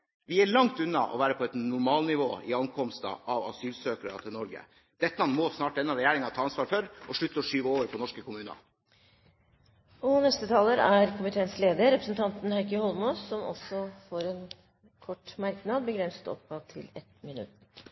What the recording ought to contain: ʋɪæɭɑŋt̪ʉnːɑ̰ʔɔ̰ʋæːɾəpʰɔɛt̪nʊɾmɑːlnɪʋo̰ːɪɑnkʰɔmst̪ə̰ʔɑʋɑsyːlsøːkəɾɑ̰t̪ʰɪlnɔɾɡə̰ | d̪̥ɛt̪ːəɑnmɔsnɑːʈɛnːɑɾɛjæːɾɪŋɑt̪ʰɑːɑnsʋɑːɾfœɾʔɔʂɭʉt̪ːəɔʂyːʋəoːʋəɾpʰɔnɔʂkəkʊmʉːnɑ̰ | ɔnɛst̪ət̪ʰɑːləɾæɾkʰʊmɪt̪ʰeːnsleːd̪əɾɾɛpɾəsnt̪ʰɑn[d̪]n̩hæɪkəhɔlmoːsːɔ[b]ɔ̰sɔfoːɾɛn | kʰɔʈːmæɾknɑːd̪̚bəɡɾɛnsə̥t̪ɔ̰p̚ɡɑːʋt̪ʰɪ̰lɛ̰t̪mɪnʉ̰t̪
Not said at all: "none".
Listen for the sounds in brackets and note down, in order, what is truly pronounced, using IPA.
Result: t̪, m

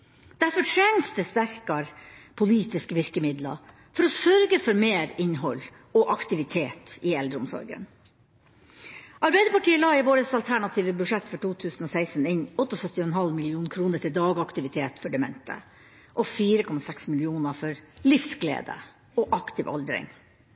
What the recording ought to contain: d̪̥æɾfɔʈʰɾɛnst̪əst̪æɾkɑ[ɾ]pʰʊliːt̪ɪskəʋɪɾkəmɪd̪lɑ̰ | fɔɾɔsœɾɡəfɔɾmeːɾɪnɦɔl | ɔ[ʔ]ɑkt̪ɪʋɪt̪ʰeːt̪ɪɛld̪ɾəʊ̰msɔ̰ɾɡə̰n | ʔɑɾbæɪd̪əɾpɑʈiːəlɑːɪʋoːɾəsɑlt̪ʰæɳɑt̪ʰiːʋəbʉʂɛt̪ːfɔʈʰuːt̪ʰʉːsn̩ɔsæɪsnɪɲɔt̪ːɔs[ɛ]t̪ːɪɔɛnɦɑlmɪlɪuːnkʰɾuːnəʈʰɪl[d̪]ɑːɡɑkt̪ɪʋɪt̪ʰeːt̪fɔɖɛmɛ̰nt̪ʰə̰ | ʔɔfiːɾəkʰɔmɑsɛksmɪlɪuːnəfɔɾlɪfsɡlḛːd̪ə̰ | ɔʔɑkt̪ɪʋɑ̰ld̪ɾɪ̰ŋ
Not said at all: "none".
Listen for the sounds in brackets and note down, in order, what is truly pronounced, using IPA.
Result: ɾ, ʔ, œ, d̪

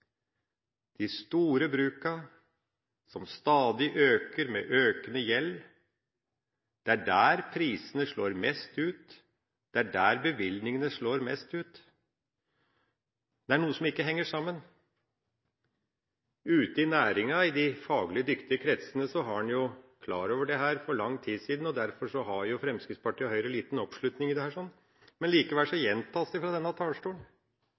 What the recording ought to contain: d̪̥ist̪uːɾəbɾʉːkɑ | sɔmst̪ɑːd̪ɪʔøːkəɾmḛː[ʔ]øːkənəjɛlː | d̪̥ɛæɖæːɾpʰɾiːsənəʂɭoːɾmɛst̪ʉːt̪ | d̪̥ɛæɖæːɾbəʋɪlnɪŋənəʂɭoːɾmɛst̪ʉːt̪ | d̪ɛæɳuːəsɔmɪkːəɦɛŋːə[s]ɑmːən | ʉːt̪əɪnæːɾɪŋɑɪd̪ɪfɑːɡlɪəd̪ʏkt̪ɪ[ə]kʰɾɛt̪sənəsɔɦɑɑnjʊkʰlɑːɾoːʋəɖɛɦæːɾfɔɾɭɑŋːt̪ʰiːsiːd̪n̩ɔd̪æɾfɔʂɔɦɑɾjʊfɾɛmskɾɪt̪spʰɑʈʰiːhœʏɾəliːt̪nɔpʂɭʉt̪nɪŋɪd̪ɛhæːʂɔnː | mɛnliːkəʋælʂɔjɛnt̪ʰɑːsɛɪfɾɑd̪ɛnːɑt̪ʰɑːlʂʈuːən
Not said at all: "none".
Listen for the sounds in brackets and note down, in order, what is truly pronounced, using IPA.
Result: ʔ, ʂ, ə

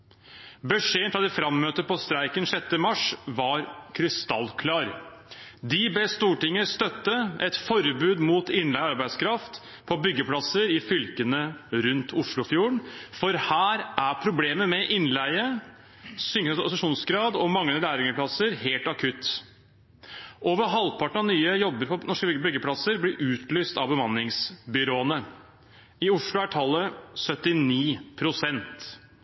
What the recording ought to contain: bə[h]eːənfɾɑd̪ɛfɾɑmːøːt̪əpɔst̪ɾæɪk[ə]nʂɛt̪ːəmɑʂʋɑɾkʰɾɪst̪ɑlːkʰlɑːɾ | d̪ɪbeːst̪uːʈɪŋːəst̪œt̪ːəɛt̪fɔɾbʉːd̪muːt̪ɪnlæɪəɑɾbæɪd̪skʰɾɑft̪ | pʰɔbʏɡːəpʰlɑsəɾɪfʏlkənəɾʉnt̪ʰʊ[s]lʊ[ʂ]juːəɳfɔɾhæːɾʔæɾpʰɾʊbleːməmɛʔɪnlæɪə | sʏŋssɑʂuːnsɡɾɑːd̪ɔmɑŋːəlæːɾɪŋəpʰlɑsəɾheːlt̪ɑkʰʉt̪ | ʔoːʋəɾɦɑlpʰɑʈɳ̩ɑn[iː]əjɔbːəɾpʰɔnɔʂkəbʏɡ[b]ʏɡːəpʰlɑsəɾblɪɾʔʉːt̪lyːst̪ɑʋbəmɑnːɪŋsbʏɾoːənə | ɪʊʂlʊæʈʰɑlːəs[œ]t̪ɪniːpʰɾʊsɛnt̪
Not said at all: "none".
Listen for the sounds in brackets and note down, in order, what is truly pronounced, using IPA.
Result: ʂ, ə, ʂ, f, yː, b, œ

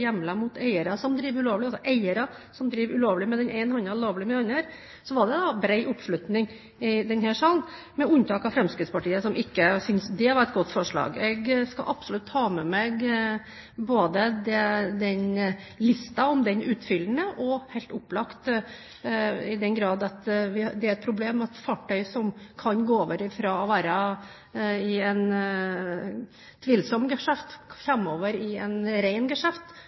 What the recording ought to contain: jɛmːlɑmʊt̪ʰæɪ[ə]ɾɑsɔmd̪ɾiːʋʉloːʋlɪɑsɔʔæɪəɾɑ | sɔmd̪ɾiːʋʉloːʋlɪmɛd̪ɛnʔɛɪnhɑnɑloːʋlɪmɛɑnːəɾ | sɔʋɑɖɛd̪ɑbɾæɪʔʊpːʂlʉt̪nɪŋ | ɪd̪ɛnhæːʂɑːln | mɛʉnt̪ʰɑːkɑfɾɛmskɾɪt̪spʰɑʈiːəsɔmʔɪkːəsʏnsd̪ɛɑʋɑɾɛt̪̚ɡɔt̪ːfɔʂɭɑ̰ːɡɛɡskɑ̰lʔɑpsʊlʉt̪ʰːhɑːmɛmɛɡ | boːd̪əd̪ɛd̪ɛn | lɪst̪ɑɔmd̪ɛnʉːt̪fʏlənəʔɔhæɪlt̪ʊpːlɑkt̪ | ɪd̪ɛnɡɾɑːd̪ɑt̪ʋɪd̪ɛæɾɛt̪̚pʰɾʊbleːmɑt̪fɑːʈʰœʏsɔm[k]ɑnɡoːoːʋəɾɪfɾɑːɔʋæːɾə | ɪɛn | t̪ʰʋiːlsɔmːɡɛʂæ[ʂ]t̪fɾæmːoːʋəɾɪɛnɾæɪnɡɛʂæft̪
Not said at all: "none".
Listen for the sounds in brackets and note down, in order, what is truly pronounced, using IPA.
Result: ə, kʰ, f

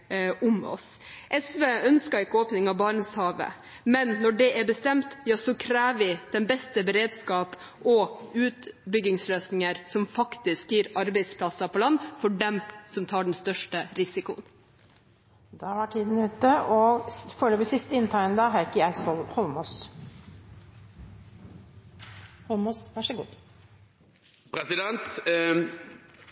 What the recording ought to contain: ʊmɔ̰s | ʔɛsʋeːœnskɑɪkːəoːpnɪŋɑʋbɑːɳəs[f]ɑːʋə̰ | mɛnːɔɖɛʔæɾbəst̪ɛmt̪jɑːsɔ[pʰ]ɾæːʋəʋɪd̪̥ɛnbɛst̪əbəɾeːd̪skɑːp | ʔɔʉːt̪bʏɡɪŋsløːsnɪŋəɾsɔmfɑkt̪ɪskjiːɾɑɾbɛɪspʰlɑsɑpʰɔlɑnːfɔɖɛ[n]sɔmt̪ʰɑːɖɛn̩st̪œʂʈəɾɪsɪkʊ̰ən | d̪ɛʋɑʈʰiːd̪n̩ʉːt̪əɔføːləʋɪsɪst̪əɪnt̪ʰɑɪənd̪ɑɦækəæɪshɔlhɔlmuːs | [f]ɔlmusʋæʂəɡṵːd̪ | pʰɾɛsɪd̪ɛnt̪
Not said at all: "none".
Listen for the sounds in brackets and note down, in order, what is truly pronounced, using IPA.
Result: h, kʰ, m, h

